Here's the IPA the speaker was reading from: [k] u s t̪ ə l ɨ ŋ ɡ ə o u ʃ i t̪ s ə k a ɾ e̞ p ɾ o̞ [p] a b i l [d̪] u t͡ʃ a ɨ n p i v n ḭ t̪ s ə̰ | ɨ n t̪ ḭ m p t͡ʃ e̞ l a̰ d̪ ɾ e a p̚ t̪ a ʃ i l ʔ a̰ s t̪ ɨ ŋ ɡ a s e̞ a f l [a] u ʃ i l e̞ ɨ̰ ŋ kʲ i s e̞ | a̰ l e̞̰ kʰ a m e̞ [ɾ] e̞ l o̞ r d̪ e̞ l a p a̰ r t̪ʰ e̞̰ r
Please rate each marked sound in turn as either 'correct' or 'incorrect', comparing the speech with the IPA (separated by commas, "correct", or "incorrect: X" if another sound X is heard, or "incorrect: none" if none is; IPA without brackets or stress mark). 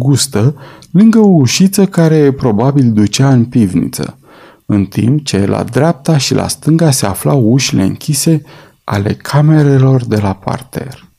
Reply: incorrect: ɡ, incorrect: b, correct, correct, correct